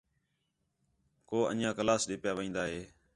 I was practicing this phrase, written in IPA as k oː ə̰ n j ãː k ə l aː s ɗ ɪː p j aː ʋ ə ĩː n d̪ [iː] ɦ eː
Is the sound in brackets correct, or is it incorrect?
incorrect: aː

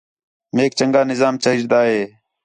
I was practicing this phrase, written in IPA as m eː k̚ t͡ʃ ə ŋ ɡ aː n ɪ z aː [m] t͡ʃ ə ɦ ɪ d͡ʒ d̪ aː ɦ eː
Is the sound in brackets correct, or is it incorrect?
correct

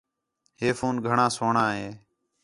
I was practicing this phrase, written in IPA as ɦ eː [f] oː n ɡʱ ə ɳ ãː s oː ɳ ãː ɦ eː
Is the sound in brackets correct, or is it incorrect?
correct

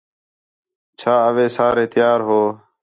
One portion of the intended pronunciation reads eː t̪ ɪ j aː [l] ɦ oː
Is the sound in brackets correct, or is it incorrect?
incorrect: ɾ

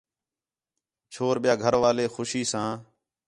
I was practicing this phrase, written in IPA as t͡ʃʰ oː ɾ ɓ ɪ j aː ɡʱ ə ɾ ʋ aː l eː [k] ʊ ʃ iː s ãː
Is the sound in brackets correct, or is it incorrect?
incorrect: x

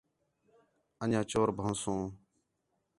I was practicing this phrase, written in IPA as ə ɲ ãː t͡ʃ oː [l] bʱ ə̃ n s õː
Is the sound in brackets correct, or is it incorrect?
incorrect: ɾ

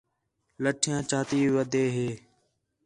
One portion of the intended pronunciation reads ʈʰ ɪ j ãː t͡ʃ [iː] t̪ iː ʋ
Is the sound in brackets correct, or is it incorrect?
incorrect: aː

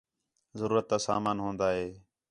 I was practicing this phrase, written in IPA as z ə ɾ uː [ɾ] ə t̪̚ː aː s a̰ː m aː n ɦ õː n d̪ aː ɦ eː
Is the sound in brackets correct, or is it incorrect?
correct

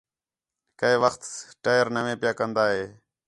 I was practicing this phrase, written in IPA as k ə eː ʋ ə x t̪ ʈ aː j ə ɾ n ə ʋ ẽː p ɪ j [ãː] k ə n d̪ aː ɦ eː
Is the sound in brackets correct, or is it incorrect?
incorrect: aː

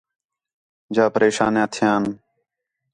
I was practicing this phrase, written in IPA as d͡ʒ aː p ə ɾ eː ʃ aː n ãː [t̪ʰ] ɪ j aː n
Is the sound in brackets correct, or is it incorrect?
correct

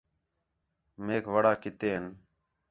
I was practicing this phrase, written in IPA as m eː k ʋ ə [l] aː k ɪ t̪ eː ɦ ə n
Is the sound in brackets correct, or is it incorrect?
incorrect: ɽ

